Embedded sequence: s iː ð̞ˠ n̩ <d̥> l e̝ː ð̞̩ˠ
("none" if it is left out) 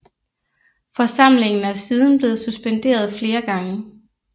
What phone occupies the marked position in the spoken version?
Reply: b̥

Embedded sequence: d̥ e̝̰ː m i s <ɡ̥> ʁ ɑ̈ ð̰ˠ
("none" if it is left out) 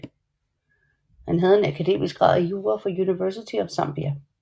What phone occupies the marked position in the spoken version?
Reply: ɡ̥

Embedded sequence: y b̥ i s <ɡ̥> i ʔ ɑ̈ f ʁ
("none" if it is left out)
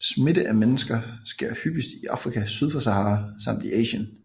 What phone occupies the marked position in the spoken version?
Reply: d̥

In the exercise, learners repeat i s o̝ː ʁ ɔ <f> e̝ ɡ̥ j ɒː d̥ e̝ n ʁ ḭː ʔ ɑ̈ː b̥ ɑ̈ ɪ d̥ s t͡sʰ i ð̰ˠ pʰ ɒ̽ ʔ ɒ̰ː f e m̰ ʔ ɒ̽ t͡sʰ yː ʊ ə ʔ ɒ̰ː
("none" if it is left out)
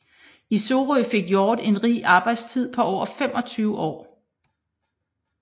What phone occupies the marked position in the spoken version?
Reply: f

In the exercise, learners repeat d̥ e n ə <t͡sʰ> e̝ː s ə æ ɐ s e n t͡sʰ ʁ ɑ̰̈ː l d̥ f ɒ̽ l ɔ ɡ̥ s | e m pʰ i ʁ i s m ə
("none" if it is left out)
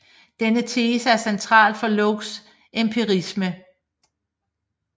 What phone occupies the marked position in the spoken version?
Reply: t͡sʰ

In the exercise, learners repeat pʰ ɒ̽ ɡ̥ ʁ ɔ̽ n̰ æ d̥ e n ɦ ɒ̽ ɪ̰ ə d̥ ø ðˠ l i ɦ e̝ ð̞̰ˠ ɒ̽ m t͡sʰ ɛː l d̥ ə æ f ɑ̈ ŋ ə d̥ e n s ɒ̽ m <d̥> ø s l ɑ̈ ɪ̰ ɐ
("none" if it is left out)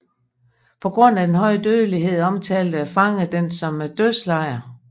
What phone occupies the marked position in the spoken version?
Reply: d̥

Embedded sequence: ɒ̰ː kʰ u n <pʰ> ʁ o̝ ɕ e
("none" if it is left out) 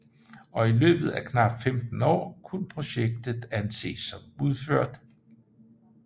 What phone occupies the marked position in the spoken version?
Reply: pʰ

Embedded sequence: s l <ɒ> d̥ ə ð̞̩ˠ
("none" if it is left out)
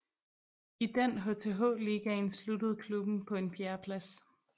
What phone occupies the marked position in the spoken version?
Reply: u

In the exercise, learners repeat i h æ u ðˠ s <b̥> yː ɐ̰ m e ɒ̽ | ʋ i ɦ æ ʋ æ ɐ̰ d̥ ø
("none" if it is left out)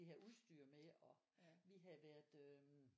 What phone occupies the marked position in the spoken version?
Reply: d̥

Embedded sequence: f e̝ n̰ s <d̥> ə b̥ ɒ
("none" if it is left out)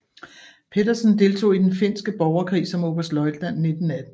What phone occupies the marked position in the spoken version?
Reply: ɡ̥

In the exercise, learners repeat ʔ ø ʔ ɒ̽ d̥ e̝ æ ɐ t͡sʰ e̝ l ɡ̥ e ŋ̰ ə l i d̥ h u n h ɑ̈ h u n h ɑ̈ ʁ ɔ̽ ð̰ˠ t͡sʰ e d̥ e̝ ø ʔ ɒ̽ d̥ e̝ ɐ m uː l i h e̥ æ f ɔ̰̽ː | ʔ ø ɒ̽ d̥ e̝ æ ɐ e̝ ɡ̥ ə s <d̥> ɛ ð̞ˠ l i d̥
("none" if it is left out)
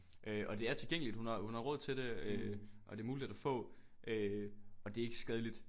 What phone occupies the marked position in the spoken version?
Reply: ɡ̥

